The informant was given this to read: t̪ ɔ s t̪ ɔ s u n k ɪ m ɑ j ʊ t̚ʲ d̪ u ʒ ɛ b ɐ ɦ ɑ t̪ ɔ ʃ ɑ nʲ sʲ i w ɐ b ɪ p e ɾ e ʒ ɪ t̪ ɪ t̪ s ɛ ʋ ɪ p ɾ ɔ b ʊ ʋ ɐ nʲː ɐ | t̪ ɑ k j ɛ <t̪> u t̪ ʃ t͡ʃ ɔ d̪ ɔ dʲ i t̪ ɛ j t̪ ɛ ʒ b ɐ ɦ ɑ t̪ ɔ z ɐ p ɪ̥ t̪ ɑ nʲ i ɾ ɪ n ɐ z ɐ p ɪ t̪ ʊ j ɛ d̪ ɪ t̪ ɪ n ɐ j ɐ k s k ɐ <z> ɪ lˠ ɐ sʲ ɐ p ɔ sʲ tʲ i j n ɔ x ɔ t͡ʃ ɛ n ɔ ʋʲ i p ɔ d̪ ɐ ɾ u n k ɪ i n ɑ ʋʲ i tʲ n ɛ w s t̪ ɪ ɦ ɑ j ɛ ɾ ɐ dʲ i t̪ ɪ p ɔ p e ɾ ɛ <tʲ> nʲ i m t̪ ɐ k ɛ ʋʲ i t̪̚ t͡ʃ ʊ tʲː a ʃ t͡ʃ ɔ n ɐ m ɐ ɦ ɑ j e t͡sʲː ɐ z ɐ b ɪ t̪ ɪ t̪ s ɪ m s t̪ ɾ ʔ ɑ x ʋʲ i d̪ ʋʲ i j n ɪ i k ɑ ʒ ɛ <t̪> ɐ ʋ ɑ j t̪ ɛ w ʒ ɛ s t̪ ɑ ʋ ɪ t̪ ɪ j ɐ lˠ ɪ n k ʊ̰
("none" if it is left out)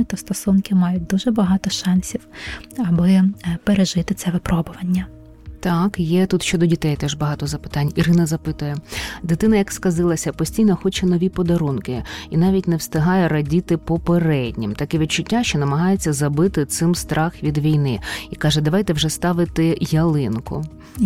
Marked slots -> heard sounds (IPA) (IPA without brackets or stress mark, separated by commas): t̪, z, dʲ, d̪